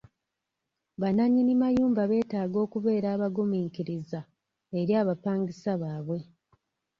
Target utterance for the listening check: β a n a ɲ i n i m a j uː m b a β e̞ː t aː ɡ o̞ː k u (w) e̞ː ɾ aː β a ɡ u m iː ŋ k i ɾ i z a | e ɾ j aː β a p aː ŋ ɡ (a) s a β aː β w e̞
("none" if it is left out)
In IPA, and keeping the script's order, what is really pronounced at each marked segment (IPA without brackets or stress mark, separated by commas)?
β, i